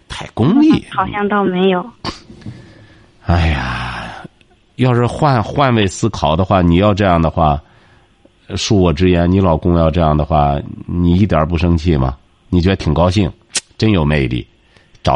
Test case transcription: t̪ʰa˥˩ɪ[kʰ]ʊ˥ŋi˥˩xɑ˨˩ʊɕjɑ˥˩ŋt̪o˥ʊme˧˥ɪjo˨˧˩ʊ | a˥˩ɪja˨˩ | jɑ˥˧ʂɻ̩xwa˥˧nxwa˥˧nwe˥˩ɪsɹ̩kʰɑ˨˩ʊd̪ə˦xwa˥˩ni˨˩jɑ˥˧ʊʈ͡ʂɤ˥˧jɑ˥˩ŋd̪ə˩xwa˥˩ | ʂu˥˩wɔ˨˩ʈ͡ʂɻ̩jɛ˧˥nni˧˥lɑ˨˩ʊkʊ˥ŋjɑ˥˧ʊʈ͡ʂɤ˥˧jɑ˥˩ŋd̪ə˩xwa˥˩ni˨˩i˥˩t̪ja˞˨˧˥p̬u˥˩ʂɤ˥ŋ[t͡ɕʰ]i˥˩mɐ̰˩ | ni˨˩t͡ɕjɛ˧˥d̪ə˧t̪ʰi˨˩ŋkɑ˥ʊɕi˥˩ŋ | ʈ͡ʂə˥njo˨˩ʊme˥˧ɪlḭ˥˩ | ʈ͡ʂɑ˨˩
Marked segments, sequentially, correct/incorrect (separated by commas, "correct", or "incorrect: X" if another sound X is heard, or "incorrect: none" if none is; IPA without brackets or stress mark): incorrect: k, correct